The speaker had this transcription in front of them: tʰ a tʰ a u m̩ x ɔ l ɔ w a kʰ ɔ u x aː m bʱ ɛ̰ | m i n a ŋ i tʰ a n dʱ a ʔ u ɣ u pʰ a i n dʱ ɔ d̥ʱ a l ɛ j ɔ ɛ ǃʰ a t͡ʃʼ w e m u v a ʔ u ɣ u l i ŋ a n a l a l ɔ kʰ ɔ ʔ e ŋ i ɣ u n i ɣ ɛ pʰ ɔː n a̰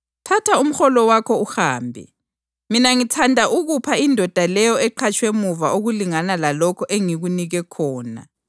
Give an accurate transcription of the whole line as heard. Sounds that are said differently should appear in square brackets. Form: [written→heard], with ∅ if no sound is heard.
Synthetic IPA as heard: tʰ a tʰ a u m̩ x ɔ l ɔ w a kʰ ɔ u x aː m bʱ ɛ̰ | m i n a ŋ i tʰ a n dʱ a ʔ u ɣ u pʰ a i n dʱ ɔ d̥ʱ a l ɛ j ɔ ɛ ǃʰ a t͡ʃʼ w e m u v a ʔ [u→o] ɣ u l i ŋ a n a l a l ɔ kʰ ɔ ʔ e ŋ i ɣ u n i ɣ ɛ [pʰ→kʰ] ɔː n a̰